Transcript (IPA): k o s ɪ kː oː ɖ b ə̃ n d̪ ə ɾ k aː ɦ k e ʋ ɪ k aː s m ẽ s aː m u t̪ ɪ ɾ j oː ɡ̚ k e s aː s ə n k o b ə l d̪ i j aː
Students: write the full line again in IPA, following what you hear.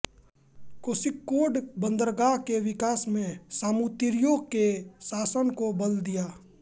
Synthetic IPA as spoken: k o s ɪ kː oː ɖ b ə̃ n d̪ ə ɾ ɡ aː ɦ k e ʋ ɪ k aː s m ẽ s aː m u t̪ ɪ ɾ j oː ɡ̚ k e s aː s ə n k o b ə l d̪ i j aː